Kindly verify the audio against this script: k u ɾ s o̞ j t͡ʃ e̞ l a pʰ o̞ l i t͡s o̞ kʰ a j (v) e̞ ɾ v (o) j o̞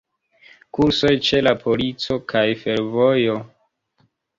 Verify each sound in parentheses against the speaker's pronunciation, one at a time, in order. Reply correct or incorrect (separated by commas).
incorrect, correct